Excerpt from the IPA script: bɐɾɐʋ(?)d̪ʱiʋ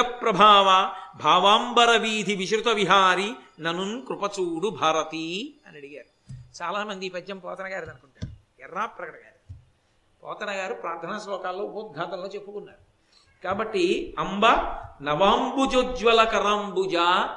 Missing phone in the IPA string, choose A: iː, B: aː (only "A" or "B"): A